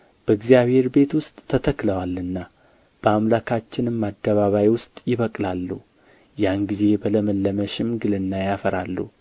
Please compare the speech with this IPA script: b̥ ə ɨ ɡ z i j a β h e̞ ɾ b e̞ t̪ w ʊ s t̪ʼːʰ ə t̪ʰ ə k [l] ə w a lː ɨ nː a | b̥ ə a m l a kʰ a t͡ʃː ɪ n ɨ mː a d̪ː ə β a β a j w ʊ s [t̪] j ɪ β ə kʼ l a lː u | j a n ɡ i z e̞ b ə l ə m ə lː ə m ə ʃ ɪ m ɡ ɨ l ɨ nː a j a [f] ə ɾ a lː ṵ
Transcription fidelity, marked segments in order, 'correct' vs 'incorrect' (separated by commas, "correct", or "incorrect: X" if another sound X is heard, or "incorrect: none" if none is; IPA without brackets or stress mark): correct, incorrect: t̪ʼ, correct